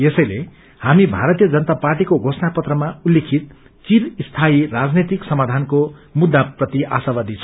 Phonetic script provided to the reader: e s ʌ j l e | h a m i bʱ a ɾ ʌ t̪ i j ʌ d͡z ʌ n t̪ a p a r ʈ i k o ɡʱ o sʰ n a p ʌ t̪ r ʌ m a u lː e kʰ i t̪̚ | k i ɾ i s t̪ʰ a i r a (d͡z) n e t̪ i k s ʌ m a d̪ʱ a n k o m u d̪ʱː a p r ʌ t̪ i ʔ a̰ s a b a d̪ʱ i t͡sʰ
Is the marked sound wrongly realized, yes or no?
no